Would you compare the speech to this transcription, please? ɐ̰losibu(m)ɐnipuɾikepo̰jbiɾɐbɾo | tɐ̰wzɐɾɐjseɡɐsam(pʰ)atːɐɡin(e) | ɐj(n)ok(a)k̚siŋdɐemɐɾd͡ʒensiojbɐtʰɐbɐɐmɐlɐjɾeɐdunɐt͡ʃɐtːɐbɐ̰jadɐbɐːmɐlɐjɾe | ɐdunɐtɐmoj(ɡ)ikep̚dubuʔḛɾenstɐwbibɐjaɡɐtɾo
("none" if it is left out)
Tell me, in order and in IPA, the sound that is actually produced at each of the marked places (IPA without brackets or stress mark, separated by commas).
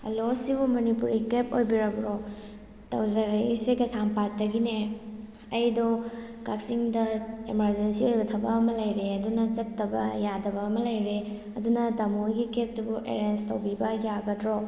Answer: m, p, e, d, a, ɡ